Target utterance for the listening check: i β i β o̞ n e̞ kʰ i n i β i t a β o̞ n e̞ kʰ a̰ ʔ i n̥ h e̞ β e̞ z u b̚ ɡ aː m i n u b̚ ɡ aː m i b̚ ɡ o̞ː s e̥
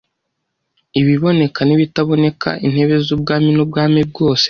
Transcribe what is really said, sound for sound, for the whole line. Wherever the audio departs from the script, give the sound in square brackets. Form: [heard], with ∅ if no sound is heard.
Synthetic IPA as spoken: i β i β o̞ n e̞ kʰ [a] n i β i t a β o̞ n e̞ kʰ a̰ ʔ i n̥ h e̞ β e̞ z u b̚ ɡ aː m i n u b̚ ɡ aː m i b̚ ɡ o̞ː s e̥